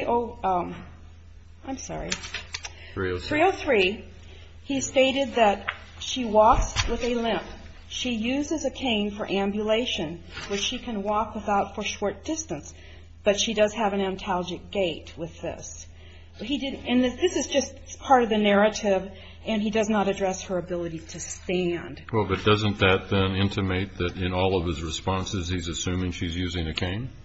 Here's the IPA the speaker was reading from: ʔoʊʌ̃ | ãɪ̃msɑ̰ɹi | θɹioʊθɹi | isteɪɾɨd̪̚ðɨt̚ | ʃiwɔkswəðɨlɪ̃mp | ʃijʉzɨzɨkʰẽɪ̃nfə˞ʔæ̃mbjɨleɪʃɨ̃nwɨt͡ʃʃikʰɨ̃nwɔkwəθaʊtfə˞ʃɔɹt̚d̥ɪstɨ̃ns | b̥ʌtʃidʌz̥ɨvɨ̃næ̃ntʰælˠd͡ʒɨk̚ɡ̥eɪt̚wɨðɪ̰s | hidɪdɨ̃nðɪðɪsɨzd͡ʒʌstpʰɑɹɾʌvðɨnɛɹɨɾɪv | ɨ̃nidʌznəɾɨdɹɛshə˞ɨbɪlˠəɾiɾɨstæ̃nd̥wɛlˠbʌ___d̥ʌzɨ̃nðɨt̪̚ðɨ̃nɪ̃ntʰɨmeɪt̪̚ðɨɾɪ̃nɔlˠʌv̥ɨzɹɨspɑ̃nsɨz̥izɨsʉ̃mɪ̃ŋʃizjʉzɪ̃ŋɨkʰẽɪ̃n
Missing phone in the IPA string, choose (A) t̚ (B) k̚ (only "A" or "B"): A